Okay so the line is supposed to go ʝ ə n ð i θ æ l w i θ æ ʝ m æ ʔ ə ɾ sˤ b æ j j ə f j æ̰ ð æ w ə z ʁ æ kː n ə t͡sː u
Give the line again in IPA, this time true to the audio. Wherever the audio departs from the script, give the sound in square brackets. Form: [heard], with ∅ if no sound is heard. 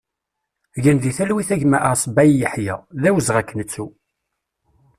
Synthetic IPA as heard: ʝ ə n ð i θ æ l w i θ æ ʝ m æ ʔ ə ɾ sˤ b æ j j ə [ħ] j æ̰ ð æ w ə z ʁ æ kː n ə t͡sː u